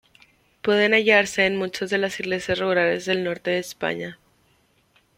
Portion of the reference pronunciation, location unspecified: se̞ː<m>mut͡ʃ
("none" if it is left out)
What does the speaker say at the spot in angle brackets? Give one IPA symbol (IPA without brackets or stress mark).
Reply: n